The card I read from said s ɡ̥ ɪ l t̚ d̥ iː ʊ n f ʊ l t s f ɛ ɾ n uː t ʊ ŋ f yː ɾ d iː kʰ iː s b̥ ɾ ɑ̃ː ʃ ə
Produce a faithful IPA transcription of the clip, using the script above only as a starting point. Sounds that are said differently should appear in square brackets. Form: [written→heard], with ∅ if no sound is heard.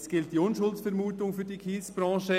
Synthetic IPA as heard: s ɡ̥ ɪ l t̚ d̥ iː ʊ n [f→ʃ] ʊ l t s f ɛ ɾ [n→m] uː t ʊ ŋ f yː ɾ d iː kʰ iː s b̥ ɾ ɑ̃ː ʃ ə